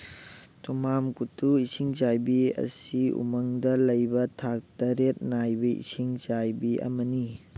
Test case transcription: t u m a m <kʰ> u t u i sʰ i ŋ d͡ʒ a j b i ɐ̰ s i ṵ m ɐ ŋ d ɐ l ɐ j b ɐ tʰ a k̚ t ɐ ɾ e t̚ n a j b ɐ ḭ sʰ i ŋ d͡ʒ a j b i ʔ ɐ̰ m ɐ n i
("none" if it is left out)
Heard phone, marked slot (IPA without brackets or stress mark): k